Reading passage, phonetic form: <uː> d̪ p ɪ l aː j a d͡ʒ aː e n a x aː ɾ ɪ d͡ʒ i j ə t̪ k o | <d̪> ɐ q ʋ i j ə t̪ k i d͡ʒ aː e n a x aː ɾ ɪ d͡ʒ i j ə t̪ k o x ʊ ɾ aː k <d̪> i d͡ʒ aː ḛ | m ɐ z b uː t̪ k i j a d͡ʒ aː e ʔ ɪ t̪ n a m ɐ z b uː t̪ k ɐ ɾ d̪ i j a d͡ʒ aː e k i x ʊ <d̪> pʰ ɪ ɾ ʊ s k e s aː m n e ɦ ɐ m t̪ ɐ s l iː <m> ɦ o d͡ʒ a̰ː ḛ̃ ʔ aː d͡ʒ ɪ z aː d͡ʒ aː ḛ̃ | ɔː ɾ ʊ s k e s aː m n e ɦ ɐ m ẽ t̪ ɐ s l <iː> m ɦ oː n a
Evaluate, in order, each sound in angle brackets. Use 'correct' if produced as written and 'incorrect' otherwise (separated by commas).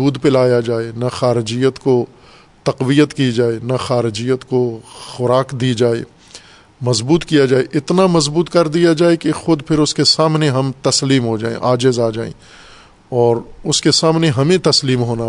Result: correct, incorrect, correct, correct, correct, correct